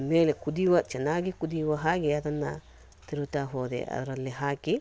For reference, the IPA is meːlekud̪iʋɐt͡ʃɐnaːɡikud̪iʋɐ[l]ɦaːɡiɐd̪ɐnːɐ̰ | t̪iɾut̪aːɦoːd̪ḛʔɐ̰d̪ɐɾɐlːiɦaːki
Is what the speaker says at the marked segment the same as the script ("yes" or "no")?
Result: no